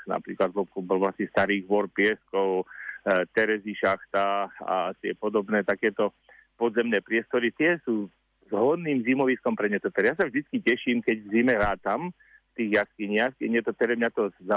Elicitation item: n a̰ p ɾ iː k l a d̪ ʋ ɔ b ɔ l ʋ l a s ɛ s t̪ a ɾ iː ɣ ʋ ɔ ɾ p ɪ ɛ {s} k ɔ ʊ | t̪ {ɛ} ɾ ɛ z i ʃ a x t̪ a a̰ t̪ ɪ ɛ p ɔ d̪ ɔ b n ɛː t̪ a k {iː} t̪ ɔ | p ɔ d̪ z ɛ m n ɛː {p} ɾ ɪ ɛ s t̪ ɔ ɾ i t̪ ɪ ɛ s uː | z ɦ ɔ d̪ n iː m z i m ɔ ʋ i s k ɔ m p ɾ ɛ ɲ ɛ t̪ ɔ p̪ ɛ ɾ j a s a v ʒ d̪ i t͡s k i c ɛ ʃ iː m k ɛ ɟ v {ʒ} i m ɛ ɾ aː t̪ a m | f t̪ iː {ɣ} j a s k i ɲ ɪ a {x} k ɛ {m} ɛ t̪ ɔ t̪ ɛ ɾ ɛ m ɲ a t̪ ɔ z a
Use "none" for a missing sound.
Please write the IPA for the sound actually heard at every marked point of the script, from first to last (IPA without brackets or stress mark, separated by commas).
s, ɛ, ɛː, p, z, ɣ, x, ɲ